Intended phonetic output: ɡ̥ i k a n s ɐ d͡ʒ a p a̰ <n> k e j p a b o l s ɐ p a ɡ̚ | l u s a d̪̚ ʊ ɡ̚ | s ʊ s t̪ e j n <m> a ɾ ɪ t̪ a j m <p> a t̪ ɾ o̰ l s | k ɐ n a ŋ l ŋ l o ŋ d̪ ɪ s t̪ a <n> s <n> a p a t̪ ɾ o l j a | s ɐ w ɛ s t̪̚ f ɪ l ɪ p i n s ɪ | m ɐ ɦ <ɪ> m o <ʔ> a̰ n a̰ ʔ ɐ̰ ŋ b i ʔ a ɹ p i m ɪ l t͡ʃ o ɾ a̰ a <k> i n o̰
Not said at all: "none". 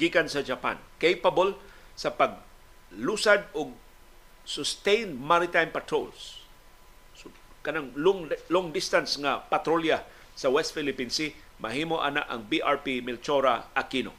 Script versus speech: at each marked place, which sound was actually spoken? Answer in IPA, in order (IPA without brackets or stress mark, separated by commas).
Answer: n, m, p, n, ŋ, i, ʔ, k